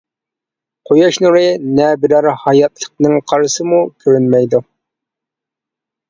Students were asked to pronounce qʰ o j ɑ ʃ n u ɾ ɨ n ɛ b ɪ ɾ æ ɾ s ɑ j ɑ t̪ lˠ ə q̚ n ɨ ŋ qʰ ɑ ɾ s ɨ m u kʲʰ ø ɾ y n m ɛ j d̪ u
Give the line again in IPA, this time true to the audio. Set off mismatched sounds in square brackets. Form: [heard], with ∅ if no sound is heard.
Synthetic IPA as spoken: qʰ o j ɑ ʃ n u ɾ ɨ n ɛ b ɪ ɾ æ ɾ [h] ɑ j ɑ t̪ lˠ ə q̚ n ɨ ŋ qʰ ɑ ɾ s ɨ m u kʲʰ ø ɾ y n m ɛ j d̪ u